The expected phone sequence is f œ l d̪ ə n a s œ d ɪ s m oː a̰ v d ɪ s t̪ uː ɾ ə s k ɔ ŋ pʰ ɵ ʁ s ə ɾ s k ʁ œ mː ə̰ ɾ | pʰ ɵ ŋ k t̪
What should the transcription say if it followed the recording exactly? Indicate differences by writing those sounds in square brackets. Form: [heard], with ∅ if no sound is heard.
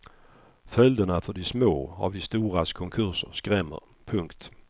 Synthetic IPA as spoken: f œ l d̪ ə n a [f] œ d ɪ s m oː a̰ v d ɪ s t̪ uː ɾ [a] s [kʰ] ɔ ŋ [kʰ] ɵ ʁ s ə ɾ s k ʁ [ɛ] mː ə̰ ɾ | pʰ ɵ ŋ k t̪